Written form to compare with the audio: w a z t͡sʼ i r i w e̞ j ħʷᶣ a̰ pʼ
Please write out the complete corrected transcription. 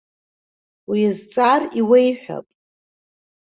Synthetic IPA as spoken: w i z t͡sʼ a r i w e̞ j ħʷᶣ a̰ pʼ